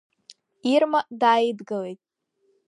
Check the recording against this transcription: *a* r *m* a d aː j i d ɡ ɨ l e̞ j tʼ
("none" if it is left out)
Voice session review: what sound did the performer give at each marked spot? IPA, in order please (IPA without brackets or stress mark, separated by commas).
i, m